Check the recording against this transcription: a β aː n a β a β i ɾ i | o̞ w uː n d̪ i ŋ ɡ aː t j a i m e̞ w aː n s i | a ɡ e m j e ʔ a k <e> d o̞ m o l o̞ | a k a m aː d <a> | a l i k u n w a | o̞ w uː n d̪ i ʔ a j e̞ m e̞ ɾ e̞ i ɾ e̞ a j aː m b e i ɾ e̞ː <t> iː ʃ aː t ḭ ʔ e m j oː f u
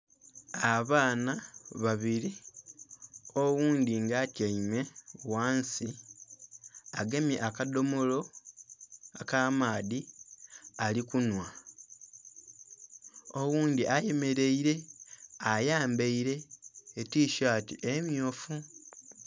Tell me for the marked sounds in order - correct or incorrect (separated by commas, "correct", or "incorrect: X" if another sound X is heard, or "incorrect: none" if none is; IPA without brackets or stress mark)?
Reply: incorrect: a, incorrect: i, correct